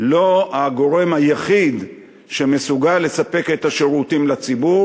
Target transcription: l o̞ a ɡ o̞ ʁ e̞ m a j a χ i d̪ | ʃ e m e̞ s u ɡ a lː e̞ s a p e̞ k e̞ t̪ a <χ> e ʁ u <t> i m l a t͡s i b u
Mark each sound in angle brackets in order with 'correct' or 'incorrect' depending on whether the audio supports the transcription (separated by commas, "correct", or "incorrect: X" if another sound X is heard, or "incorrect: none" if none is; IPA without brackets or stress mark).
incorrect: ʃ, correct